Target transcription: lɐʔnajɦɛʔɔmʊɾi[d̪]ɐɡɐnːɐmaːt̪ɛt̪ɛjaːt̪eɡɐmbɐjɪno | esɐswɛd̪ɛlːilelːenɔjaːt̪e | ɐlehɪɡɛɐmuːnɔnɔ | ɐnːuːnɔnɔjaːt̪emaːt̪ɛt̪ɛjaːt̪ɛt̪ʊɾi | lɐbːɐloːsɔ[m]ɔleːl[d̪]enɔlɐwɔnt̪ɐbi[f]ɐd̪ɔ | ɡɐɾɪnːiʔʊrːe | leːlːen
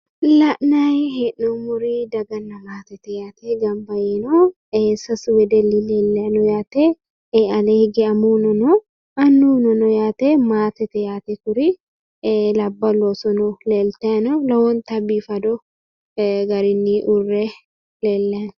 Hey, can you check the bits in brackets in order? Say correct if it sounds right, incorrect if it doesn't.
correct, incorrect: n, incorrect: t̪, correct

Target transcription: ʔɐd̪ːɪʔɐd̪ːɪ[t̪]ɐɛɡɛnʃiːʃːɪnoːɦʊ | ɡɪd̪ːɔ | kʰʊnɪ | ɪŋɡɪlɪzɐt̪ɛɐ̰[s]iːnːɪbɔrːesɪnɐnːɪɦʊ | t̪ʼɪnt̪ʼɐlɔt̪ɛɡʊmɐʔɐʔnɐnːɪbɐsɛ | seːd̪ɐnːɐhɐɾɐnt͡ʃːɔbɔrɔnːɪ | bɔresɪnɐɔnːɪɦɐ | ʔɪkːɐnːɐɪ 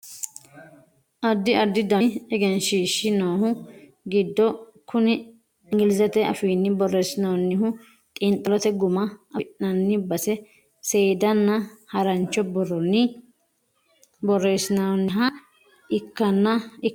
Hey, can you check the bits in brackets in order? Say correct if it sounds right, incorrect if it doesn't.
incorrect: d̪, incorrect: f

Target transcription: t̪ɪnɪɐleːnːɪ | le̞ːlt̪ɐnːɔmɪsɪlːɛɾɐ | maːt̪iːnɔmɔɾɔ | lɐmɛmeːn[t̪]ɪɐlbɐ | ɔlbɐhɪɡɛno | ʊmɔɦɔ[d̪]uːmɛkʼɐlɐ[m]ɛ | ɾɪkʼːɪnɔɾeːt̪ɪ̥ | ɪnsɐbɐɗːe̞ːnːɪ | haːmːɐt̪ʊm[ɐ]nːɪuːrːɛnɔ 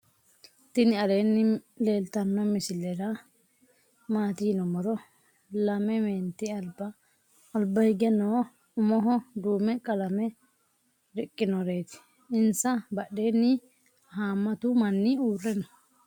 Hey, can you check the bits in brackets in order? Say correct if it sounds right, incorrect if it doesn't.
correct, correct, correct, correct

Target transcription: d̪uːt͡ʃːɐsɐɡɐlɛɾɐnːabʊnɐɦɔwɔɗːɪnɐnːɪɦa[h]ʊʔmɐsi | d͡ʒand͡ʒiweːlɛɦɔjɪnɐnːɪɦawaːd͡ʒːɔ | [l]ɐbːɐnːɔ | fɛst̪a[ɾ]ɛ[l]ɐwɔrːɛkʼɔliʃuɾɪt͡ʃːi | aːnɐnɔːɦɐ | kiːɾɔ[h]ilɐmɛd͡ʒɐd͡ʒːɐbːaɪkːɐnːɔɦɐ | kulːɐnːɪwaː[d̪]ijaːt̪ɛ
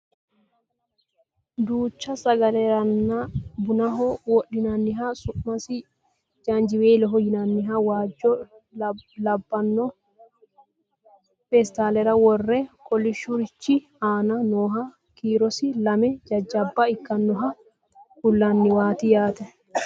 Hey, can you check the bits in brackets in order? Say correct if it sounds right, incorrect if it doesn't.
incorrect: s, correct, incorrect: l, incorrect: ɾ, incorrect: s, incorrect: t̪

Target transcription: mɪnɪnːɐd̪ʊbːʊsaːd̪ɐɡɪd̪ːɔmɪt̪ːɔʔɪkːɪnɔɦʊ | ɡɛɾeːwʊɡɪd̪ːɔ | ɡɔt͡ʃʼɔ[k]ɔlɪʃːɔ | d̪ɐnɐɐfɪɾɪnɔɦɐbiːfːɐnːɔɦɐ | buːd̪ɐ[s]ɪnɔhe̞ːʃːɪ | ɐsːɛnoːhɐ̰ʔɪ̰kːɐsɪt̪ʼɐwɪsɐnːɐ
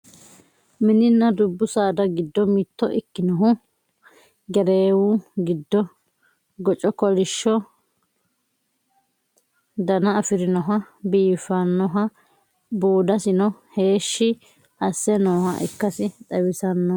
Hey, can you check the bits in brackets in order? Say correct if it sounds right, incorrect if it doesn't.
correct, correct

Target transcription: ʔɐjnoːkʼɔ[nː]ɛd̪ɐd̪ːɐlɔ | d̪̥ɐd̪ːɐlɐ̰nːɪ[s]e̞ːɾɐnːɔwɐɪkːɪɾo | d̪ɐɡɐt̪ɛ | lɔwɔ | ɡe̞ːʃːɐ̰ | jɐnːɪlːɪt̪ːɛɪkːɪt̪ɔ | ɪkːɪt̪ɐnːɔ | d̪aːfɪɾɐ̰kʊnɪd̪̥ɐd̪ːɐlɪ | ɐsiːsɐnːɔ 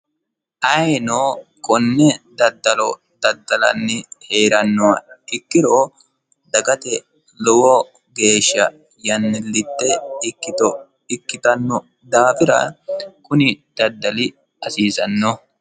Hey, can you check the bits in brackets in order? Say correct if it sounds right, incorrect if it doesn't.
correct, incorrect: h

